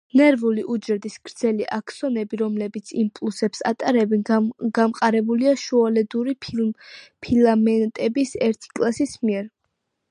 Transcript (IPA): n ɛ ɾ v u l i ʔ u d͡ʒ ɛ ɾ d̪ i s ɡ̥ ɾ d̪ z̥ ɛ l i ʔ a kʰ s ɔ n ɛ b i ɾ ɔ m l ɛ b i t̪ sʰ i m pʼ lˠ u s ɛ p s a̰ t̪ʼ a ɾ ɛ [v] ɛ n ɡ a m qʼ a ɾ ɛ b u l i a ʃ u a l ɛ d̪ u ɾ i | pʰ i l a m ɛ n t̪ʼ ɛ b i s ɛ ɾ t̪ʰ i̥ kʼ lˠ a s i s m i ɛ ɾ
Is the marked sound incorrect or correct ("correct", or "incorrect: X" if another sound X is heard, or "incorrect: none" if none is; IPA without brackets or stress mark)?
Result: incorrect: b